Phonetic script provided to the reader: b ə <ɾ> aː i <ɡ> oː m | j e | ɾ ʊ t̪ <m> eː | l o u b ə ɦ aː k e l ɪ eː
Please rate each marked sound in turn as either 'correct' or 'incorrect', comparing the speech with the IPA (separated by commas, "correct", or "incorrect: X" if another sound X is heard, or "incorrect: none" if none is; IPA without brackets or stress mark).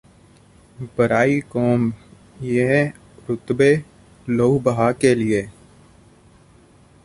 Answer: correct, incorrect: k, incorrect: b